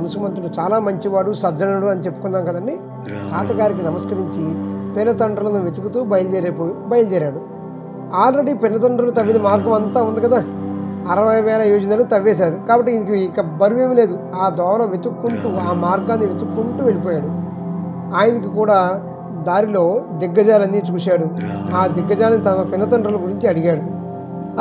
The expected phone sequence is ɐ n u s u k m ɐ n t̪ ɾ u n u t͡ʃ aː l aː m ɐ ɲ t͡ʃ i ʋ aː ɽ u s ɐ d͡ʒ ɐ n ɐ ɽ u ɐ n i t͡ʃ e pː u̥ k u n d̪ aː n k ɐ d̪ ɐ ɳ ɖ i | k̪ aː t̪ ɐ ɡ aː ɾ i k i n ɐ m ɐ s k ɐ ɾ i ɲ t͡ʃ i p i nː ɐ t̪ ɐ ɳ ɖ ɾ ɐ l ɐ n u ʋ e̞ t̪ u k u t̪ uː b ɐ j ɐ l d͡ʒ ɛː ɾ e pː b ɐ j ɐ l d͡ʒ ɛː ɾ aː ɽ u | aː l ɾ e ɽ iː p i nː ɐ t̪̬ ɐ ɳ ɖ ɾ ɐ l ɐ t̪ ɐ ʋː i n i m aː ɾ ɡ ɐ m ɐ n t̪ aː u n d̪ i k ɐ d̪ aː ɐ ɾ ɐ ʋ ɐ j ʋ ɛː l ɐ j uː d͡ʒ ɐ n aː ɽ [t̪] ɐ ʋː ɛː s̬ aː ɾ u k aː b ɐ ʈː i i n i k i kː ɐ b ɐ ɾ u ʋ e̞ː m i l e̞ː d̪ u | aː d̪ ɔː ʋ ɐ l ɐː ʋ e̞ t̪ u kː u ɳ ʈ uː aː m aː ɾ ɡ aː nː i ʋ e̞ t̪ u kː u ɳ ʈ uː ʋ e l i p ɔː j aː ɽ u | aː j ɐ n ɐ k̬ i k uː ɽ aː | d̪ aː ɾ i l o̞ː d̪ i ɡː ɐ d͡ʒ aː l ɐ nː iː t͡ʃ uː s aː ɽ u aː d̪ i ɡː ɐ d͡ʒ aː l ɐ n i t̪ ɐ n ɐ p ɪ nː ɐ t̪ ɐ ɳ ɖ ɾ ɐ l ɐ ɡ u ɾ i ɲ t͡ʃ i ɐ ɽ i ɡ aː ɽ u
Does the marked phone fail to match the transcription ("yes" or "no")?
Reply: no